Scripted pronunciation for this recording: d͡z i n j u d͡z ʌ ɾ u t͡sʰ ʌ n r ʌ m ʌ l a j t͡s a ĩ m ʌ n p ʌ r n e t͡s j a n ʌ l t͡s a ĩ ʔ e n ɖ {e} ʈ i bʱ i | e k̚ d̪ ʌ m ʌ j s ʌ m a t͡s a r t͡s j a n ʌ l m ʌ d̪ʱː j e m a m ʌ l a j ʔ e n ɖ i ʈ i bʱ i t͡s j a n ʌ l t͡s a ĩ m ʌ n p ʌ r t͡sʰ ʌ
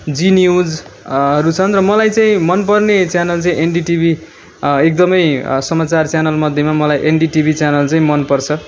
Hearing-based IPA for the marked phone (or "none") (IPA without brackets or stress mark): i